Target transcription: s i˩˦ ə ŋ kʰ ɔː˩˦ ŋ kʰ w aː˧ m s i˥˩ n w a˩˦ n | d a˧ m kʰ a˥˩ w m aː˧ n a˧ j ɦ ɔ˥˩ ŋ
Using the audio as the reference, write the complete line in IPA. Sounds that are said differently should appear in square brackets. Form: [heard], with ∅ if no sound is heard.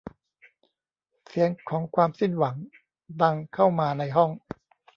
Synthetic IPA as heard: s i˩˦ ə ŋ kʰ ɔː˩˦ ŋ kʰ w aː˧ m s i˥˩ n w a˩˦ [ŋ] | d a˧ [ŋ] kʰ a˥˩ w m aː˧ n a˧ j ɦ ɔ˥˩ ŋ